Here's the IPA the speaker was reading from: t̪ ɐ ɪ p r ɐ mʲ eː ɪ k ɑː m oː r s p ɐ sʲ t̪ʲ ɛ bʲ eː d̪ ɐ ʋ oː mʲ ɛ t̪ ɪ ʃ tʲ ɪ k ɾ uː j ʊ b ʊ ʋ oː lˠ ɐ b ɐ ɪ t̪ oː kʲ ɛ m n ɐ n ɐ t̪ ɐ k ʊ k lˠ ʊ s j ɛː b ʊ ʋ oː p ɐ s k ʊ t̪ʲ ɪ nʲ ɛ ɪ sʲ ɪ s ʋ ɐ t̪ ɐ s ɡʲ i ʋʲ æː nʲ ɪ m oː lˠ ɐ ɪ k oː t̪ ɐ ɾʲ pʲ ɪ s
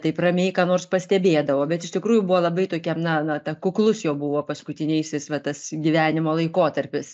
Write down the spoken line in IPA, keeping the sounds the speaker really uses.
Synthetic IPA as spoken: t̪ ɐ ɪ p r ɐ mʲ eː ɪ k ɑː n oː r s p ɐ sʲ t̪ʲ ɛ bʲ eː d̪ ɐ ʋ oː bʲ ɛ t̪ ɪ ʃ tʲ ɪ k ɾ uː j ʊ b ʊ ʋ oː lˠ ɐ b ɐ ɪ t̪ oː kʲ ɛ m n ɐ n ɐ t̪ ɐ k ʊ k lˠ ʊ s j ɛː b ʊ ʋ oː p ɐ s k ʊ t̪ʲ ɪ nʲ ɛ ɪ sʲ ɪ s ʋ ɐ t̪ ɐ s ɡʲ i ʋʲ æː nʲ ɪ m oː lˠ ɐ ɪ k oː t̪ ɐ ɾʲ pʲ ɪ s